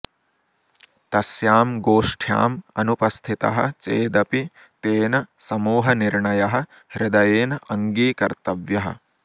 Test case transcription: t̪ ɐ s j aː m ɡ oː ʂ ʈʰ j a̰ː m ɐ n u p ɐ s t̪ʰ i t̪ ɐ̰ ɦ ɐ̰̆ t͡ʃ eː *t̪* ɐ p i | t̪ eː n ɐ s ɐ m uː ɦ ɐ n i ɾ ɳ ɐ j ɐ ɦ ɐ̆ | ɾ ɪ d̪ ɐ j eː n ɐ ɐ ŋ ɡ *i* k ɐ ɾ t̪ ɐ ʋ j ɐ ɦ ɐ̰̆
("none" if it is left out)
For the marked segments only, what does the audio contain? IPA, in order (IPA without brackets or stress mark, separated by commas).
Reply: d̪, iː